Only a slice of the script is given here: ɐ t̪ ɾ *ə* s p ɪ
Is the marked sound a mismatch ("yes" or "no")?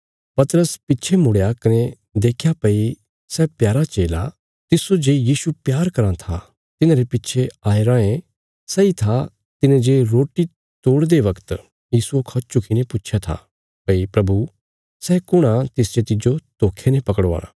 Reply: no